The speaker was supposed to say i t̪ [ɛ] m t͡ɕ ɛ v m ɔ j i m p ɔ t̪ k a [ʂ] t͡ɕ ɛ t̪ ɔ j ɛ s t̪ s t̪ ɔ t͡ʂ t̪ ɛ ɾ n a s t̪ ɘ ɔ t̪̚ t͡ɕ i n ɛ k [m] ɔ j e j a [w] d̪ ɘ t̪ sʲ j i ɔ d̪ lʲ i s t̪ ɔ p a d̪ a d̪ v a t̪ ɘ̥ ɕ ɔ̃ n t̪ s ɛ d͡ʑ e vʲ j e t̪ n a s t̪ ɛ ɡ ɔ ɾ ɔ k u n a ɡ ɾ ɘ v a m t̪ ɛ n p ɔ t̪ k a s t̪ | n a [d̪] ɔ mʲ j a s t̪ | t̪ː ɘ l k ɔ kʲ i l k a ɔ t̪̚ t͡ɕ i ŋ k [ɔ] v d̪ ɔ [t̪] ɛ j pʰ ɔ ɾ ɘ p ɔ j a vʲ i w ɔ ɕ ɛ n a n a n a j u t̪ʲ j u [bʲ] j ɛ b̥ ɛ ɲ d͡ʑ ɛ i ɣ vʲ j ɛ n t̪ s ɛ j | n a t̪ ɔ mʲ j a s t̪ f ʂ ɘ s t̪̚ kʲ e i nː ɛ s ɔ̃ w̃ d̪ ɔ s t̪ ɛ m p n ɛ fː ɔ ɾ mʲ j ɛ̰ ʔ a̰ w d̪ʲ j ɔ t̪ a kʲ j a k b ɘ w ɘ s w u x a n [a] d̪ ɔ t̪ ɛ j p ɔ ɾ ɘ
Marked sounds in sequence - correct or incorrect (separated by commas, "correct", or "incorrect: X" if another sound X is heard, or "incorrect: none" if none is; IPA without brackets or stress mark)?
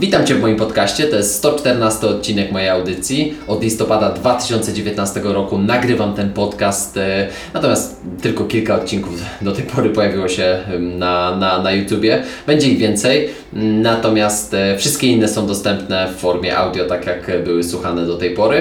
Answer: incorrect: a, incorrect: ɕ, correct, correct, incorrect: t̪, incorrect: u, correct, correct, incorrect: ɛ